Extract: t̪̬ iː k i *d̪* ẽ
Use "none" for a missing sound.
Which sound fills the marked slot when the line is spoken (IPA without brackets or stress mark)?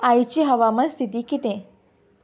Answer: t̪